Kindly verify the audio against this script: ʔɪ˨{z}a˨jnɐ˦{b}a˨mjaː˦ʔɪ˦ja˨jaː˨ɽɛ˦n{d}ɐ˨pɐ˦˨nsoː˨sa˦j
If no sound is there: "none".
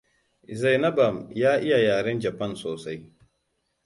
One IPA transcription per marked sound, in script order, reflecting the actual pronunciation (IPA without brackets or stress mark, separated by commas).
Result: z, b, d͡ʒ